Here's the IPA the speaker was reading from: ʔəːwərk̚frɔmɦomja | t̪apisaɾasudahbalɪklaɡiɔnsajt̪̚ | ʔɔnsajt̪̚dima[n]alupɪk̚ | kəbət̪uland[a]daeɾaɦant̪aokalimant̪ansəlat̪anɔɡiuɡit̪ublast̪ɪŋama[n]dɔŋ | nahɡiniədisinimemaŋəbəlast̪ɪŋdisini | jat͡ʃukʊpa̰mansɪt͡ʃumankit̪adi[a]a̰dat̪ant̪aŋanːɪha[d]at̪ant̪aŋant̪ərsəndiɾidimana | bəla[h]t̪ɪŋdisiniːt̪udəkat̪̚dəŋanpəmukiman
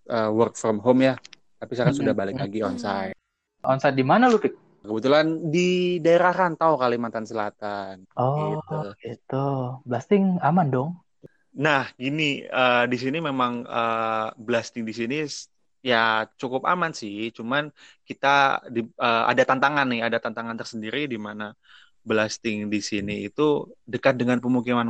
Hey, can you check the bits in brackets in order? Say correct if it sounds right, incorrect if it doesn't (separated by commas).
correct, incorrect, correct, incorrect, correct, incorrect